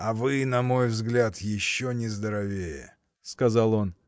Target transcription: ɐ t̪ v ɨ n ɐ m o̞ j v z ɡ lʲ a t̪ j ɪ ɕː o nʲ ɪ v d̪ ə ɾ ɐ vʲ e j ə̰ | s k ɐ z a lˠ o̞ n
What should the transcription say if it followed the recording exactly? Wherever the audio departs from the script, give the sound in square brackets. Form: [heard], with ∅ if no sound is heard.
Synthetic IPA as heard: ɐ [∅] v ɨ n ɐ m o̞ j v z ɡ lʲ a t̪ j ɪ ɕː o nʲ ɪ [z] d̪ ə ɾ ɐ vʲ e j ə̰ | s k ɐ z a lˠ o̞ n